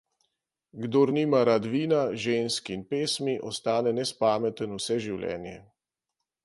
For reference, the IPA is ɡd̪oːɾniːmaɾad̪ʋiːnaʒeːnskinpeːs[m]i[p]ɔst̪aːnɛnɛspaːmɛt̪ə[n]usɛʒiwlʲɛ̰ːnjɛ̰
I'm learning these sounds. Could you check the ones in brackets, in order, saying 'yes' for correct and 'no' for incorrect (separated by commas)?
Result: yes, no, yes